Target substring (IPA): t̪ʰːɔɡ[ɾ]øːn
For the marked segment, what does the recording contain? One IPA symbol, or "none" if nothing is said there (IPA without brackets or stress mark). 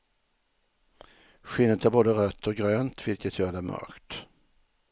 ɾ